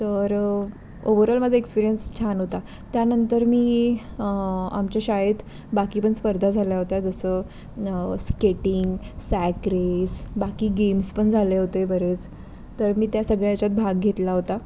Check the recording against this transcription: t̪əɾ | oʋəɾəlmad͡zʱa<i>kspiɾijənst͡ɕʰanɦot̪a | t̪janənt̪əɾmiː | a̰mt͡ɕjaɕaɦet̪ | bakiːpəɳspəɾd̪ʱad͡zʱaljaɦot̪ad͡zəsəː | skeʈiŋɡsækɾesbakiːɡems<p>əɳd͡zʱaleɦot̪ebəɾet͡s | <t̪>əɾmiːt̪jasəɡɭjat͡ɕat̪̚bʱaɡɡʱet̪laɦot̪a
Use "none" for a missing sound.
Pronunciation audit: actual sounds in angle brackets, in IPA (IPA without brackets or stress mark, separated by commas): e, p, t̪